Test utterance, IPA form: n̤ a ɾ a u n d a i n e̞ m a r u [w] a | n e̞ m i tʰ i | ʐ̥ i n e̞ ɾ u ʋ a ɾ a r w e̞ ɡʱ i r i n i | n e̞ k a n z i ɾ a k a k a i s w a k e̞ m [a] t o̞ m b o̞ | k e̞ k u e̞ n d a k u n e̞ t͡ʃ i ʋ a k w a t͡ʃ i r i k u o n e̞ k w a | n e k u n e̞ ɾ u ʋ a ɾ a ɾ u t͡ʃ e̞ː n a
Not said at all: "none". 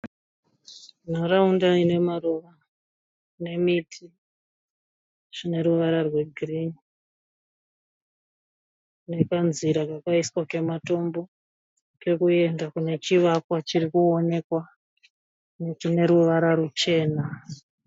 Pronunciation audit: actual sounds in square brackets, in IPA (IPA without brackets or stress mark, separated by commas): ʋ, a